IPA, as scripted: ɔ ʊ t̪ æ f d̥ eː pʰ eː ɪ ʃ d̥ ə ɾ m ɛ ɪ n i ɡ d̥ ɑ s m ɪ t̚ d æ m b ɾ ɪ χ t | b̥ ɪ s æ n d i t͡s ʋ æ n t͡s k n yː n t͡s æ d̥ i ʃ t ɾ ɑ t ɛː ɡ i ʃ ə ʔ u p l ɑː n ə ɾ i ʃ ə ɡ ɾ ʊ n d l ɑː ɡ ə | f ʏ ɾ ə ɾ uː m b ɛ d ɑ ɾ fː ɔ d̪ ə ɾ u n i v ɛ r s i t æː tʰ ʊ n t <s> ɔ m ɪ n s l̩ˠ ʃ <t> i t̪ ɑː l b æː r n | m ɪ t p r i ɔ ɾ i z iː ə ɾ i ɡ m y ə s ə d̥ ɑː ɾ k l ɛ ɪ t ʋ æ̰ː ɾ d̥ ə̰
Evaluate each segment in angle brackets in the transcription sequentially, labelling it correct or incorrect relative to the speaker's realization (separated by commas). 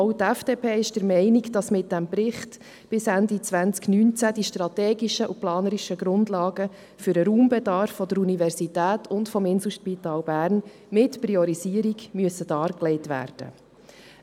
incorrect, incorrect